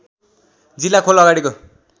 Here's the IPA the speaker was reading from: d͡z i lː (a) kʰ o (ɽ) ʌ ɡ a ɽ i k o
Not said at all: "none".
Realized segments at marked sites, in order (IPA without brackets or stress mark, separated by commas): a, l